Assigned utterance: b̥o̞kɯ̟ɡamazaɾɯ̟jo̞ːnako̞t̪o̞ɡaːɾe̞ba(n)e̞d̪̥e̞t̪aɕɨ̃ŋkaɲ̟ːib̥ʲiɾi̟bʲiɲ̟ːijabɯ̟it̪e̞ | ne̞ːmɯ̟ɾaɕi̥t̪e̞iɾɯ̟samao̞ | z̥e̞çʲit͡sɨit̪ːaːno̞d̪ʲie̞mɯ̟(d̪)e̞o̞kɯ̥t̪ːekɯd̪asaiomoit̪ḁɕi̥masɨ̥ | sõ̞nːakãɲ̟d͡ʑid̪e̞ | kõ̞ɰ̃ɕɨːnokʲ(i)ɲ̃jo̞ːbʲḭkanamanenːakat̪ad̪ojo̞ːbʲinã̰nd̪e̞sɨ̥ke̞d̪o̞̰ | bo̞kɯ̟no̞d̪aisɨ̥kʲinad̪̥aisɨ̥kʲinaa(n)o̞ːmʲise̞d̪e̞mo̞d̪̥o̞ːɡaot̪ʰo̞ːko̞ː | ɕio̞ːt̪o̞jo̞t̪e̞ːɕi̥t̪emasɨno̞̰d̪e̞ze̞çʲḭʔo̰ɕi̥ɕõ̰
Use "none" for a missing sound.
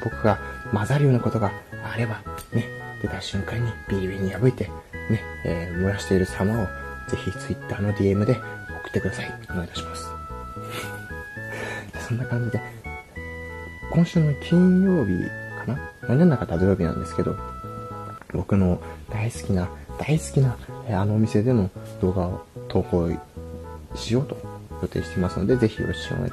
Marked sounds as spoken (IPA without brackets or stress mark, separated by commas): n, d̪, ĩ, n